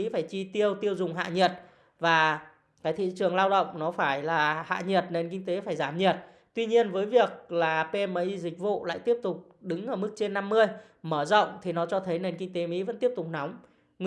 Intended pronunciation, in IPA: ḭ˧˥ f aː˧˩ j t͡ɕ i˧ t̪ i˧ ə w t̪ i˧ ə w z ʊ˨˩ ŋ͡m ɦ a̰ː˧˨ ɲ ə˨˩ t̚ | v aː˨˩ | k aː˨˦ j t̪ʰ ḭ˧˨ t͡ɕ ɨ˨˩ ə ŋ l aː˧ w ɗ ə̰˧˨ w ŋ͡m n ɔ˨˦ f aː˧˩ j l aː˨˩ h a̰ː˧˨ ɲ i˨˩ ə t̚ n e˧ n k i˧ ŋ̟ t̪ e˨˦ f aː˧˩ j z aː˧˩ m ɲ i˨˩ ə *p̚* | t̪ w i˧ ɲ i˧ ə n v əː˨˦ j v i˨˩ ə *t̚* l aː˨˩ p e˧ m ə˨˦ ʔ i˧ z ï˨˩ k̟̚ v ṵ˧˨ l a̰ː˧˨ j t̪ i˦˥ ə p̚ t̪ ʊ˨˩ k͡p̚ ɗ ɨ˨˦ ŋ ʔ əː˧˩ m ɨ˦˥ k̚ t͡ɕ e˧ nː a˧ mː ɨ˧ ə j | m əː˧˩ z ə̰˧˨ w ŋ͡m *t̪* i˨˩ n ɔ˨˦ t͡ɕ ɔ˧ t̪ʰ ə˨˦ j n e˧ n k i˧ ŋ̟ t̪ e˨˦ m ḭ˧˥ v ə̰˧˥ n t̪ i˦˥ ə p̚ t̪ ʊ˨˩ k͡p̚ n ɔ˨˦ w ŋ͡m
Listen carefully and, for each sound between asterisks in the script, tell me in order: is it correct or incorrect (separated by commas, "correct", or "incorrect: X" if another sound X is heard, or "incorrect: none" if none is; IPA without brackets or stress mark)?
incorrect: t̚, incorrect: k̚, incorrect: t̪ʰ